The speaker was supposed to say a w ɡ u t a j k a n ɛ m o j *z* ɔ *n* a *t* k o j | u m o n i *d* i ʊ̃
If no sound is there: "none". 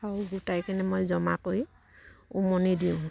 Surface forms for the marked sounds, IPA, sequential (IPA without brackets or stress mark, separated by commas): z, m, none, d